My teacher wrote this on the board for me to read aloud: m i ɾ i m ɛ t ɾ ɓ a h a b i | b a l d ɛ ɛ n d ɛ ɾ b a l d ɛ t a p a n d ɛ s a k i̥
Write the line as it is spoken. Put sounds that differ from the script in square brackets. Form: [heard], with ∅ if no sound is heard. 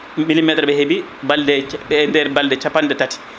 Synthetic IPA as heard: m i [l] i m ɛ t ɾ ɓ [ɛ] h [e] b i | b a l d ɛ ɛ n d ɛ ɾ b a l d ɛ [t͡ʃ] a p a n d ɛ [t] a [t] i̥